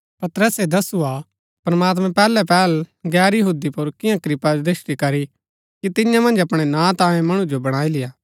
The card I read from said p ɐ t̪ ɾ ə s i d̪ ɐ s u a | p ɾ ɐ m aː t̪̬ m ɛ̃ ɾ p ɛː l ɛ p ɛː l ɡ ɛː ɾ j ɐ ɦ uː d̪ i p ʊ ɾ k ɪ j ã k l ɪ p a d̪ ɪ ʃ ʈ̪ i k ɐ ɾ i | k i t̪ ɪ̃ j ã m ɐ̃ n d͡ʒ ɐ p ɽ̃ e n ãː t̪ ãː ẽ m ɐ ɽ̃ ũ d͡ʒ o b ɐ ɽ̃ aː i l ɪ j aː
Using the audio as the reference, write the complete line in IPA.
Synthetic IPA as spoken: p ɐ t̪ ɾ ə s e d̪ ɐ s u a | p ɾ ɐ m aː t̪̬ m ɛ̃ p ɛː l ɛ p ɛː l ɡ ɛː ɾ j ɐ ɦ uː d̪ i p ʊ ɾ k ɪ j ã k ɾ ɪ p a d̪ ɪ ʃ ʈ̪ i k ɐ ɾ i | k i t̪ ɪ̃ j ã m ɐ̃ n d͡ʒ ɐ p ɽ̃ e n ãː t̪ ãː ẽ m ɐ ɽ̃ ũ d͡ʒ o b ɐ ɽ̃ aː i l ɪ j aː